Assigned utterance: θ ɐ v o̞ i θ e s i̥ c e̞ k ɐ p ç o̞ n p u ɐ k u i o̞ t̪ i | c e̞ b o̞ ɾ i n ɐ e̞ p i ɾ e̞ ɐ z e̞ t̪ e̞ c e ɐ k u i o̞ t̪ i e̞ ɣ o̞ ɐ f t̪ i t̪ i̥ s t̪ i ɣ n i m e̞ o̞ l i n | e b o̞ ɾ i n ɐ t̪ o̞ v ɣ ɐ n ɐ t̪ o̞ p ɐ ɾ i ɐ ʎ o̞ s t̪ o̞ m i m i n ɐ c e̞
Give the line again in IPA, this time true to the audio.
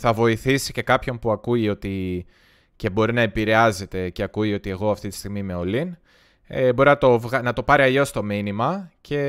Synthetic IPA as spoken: θ ɐ v o̞ i θ i s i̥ c e̞ k ɐ p ç o̞ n p u ɐ k u i o̞ t̪ i | c e̞ b o̞ ɾ i n ɐ e̞ p i ɾ e̞ ɐ z e̞ t̪ e̞ c e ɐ k u i o̞ t̪ i e̞ ɣ o̞ ɐ f t̪ i t̪ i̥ s t̪ i ɣ m i m e̞ o̞ l i n | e b o̞ ɾ i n ɐ t̪ o̞ v ɣ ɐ n ɐ t̪ o̞ p ɐ ɾ i ɐ ʎ o̞ s t̪ o̞ m i n i m ɐ c e̞